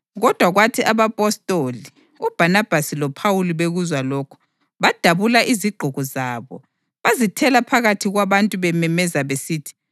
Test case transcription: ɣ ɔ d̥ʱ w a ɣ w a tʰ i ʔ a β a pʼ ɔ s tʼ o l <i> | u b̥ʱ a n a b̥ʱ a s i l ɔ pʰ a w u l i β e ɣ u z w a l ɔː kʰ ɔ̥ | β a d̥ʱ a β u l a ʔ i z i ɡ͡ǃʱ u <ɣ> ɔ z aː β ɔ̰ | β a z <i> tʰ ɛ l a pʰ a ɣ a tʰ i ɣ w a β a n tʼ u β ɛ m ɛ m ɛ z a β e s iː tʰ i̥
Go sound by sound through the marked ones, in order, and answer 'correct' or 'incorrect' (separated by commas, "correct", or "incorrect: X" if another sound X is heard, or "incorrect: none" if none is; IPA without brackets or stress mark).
correct, correct, correct